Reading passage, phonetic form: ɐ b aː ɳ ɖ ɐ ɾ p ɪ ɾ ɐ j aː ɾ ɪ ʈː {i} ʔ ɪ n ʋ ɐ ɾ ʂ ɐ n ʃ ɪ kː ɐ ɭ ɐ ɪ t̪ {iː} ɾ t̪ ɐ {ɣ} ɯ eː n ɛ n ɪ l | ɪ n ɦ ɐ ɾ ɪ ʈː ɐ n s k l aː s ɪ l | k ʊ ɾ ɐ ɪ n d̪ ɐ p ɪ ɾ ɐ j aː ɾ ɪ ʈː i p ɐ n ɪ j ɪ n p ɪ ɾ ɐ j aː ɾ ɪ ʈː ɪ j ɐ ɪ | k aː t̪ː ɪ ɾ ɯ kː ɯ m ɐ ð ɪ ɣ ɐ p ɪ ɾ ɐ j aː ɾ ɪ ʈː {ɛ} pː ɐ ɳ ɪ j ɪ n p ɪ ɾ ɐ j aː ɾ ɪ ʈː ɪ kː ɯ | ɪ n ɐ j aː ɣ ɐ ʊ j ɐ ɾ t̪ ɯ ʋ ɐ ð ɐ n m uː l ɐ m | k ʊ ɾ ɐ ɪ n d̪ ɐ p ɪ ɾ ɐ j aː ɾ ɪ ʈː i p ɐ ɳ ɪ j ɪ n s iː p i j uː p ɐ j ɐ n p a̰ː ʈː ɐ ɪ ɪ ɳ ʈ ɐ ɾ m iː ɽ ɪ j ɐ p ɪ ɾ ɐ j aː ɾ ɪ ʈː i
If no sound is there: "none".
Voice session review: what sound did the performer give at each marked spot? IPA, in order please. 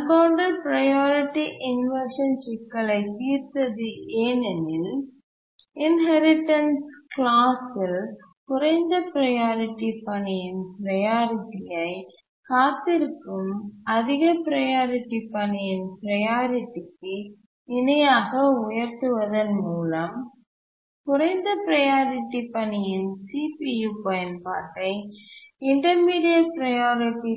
i, iː, ð, i

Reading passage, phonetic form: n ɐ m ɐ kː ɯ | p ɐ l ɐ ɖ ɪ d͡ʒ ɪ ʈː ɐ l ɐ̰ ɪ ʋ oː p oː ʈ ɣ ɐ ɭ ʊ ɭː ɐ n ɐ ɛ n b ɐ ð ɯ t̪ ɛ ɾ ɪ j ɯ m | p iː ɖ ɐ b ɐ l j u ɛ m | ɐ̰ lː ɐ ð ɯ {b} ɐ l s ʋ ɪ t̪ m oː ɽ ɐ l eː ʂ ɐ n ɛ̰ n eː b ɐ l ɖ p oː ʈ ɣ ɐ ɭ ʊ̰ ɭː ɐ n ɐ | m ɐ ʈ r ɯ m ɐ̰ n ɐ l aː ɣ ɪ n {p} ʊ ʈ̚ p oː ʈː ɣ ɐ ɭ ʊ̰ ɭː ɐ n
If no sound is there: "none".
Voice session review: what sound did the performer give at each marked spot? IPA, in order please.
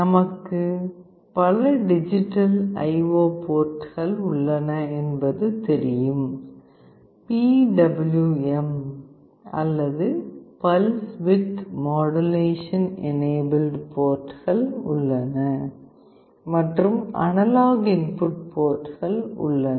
p, p

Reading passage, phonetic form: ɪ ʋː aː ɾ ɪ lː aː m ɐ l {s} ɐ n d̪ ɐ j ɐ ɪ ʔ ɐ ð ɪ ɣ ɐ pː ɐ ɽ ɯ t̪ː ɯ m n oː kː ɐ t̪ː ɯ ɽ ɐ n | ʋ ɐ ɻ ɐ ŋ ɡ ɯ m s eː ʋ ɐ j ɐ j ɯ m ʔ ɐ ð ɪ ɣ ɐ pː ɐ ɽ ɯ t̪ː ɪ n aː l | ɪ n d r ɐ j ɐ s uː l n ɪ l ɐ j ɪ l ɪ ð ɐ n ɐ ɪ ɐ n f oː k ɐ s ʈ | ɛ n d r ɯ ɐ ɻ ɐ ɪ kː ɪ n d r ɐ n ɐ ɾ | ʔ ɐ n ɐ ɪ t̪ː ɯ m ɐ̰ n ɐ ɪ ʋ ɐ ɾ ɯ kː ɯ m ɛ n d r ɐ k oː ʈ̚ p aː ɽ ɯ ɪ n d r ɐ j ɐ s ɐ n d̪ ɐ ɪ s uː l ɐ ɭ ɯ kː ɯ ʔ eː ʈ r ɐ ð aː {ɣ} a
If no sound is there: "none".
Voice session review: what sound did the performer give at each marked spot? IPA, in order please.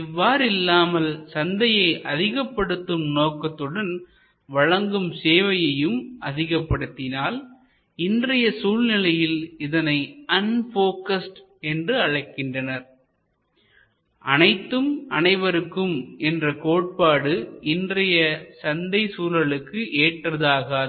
s, ɣ

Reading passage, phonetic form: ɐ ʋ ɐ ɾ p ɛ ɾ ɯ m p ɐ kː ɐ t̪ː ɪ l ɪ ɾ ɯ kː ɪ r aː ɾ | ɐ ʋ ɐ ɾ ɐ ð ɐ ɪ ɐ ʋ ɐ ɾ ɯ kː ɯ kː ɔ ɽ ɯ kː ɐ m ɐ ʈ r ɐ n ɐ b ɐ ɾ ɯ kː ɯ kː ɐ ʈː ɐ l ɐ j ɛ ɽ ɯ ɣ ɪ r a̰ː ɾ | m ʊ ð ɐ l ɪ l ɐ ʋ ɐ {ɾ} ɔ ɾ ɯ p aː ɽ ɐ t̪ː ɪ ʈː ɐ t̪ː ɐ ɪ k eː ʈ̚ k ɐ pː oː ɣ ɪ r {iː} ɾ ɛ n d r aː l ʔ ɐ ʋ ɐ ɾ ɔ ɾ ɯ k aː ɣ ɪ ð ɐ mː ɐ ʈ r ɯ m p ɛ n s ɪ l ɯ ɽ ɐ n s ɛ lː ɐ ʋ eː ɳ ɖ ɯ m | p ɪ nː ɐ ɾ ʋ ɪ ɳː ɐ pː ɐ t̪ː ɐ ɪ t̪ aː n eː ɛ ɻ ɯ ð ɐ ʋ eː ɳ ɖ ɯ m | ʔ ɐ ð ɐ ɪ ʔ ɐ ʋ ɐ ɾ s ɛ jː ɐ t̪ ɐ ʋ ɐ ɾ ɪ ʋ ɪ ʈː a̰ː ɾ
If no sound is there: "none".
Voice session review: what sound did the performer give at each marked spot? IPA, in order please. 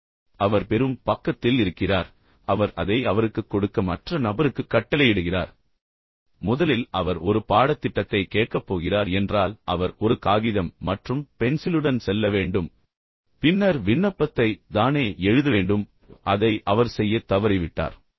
ɾ, aː

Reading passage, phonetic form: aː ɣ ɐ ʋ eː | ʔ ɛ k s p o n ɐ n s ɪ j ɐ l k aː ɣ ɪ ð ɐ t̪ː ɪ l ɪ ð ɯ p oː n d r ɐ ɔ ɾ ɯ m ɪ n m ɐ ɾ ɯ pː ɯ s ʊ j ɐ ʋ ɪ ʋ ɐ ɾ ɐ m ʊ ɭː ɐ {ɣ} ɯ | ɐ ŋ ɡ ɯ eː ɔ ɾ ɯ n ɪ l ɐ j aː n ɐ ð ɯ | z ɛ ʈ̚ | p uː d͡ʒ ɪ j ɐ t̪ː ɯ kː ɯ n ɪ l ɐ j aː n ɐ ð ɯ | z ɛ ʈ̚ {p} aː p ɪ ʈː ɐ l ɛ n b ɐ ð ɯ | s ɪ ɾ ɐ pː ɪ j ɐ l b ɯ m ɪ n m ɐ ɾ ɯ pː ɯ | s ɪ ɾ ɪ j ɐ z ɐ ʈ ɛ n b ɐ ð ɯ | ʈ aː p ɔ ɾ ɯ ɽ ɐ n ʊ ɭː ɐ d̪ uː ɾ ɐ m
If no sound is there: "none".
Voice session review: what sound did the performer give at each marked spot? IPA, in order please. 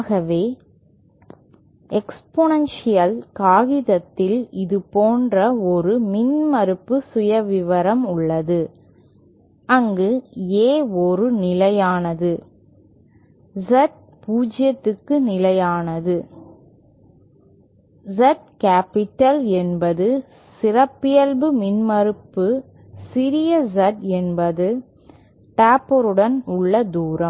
ð, k

